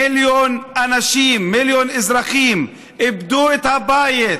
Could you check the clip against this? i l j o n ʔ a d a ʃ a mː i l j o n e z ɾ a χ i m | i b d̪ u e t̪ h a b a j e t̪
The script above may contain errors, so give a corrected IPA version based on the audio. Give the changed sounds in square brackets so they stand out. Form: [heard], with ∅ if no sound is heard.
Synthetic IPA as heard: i l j o n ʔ a [n] a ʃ [i] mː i l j o n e z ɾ a χ i m | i b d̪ u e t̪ h a b a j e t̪